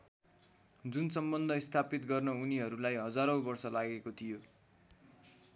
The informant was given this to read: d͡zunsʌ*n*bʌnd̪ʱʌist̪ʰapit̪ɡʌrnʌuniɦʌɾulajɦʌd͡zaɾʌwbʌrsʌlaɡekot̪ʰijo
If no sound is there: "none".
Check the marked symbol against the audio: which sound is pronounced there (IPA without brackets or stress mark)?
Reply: m